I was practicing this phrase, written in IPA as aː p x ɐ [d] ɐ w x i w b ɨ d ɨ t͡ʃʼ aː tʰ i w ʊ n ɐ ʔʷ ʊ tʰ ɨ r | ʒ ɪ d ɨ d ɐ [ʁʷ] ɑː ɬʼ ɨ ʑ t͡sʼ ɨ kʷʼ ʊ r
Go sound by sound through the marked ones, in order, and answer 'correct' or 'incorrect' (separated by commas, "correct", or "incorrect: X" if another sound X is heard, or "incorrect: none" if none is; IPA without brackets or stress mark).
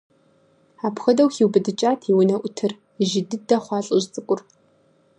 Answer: correct, incorrect: χʷ